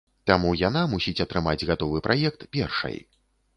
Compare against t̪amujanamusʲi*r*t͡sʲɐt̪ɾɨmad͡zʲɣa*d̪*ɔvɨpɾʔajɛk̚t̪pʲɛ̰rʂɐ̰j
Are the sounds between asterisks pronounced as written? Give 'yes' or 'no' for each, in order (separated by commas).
no, no